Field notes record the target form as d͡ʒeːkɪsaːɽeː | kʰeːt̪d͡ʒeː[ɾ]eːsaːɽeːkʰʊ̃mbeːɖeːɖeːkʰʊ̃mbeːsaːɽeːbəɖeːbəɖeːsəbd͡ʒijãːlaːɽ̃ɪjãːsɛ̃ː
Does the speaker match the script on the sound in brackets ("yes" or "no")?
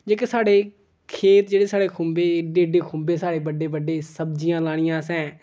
no